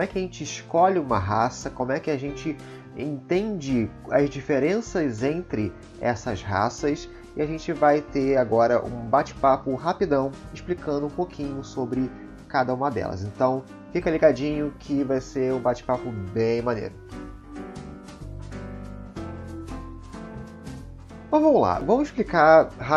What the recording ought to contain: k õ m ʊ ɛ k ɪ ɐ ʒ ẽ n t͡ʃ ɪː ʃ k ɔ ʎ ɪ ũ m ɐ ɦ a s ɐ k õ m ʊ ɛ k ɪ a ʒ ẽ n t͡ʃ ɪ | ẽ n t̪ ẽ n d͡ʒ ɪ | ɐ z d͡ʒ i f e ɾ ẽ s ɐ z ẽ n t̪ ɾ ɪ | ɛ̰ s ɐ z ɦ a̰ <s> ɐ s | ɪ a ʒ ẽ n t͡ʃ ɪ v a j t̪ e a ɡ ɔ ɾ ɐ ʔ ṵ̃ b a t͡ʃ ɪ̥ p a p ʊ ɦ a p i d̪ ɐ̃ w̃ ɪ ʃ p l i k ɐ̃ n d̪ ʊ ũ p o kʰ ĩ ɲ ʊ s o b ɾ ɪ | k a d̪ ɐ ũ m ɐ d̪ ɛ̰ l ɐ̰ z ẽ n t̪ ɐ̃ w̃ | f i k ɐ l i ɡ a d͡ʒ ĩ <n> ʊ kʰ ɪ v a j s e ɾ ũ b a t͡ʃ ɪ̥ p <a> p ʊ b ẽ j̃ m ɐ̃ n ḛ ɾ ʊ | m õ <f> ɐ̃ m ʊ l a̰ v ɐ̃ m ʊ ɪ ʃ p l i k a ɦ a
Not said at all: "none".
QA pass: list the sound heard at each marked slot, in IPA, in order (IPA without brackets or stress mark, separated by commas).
s, ɲ, a, v